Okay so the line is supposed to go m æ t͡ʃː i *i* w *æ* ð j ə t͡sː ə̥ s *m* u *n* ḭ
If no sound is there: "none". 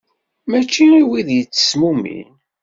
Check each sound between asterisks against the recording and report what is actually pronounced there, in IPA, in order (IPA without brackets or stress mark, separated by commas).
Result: i, i, m, m